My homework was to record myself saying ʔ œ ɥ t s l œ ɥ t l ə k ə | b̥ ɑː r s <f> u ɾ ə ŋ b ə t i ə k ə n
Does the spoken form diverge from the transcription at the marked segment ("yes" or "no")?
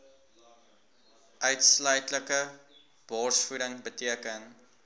no